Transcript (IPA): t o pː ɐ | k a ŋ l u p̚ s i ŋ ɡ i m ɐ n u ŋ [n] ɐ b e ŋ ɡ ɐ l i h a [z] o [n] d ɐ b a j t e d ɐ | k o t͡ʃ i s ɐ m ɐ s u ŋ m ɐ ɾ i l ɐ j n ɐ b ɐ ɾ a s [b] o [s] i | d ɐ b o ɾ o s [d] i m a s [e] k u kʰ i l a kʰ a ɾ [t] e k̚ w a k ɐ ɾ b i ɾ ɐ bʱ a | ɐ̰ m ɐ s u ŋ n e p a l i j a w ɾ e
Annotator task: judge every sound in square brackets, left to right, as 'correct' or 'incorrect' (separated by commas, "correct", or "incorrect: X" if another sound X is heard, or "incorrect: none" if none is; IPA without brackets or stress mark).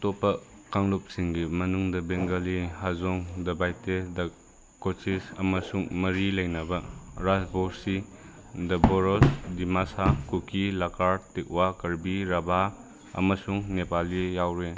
incorrect: d, correct, incorrect: ŋ, correct, correct, correct, incorrect: a, correct